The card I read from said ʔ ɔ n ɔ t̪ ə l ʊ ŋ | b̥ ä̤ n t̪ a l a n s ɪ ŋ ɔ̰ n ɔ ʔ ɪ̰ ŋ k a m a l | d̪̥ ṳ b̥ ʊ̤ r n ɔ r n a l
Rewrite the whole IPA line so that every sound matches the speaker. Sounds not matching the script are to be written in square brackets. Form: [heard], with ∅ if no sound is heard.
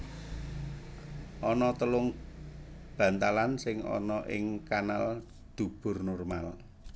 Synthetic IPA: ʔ ɔ n ɔ t̪ ə l ʊ ŋ | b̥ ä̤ n t̪ a l a n s ɪ ŋ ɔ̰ n ɔ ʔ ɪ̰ ŋ k a [n] a l | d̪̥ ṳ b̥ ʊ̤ r n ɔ r [m] a l

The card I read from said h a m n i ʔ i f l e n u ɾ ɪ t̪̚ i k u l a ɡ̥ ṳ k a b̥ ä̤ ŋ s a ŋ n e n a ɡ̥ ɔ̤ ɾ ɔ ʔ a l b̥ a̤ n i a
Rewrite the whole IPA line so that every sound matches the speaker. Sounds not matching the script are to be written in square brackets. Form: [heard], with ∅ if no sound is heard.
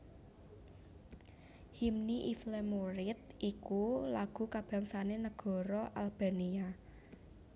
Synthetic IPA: h [i] m n i ʔ i f l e [m] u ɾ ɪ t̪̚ i k u l a ɡ̥ ṳ k a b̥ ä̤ ŋ s a [∅] n e n [ə] ɡ̥ ɔ̤ ɾ ɔ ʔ a l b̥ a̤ n i a

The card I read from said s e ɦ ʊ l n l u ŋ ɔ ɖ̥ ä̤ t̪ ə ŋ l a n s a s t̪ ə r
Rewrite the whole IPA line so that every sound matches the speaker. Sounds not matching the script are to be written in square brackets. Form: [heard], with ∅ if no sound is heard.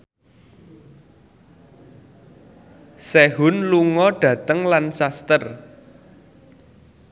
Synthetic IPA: s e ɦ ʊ [∅] n l u ŋ ɔ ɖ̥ ä̤ t̪ ə ŋ l a n s a s t̪ ə r

